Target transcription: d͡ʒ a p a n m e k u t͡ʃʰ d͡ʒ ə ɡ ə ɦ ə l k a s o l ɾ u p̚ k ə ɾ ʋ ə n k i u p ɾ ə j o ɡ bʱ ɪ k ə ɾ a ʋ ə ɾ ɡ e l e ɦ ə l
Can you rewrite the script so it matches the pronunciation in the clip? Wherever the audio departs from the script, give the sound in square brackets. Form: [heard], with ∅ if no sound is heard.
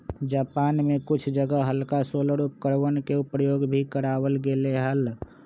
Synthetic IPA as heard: d͡ʒ a p a n m e k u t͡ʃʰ d͡ʒ ə ɡ ə ɦ ə l k a s o l ɾ u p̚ k ə ɾ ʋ ə n k [e] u p ɾ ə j o ɡ bʱ [i] k ə ɾ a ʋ ə [l] ɡ e l e ɦ ə l